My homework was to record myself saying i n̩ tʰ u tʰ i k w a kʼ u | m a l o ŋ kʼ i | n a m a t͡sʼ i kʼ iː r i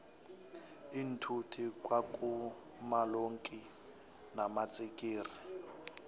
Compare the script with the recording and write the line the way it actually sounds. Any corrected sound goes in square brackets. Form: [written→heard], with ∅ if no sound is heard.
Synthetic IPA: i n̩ tʰ u tʰ i k w a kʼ u | m a l o ŋ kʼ i | n a m a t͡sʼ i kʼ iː r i